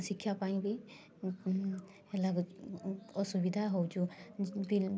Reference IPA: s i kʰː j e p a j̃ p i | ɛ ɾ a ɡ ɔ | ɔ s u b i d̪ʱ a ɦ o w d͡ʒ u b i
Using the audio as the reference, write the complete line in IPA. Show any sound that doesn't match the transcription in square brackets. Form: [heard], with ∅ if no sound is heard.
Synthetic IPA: s i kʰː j [a] p a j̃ [b] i | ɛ [l] a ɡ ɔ | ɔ s u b i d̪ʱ a ɦ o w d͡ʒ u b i